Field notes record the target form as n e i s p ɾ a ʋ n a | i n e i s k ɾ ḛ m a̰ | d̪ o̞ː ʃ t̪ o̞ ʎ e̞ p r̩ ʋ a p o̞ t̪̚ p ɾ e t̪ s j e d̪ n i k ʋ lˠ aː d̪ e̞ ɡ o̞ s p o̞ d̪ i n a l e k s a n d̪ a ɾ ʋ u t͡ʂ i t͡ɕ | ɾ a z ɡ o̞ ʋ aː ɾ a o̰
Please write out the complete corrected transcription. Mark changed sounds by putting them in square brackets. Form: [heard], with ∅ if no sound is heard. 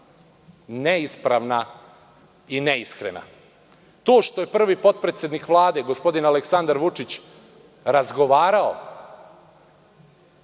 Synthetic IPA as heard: n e i s p ɾ a ʋ n a | i n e i s k ɾ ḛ [n] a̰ | [t̪] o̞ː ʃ t̪ o̞ [j] e̞ p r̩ ʋ [i] p o̞ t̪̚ p ɾ e t̪ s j e d̪ n i k ʋ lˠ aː d̪ e̞ ɡ o̞ s p o̞ d̪ i n a l e k s a n d̪ a ɾ ʋ u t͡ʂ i t͡ɕ | ɾ a z ɡ o̞ ʋ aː ɾ a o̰